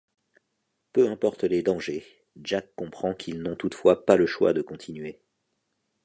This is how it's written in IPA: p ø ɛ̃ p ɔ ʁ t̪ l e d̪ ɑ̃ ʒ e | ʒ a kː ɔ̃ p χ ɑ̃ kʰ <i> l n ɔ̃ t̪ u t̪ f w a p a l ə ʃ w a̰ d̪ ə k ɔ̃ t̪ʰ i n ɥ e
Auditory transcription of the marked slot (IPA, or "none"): i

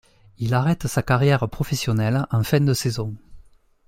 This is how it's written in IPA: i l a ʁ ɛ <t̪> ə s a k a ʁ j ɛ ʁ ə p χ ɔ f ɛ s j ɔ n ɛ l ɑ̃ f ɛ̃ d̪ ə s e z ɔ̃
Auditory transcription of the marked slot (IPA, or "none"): t̪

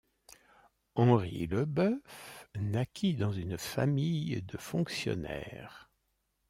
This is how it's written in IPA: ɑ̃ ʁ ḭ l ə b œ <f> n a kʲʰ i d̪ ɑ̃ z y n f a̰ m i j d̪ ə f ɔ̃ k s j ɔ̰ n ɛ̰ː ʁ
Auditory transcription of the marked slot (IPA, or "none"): f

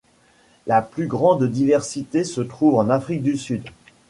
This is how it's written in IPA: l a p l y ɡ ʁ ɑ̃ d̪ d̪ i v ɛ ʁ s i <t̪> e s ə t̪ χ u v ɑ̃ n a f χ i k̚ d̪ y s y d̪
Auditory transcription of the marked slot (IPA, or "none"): t̪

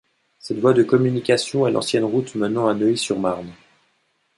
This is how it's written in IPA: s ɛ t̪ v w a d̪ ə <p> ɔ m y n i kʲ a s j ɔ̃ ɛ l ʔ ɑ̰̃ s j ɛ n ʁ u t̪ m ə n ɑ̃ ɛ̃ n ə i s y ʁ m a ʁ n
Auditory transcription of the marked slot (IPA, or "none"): k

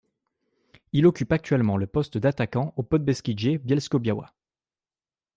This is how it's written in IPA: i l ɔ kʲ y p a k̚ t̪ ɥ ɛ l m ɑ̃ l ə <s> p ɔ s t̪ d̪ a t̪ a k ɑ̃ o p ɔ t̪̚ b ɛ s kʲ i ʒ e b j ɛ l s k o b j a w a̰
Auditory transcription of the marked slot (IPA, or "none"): none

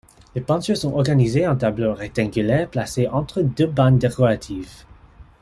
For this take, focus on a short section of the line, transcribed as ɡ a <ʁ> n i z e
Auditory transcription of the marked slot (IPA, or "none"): none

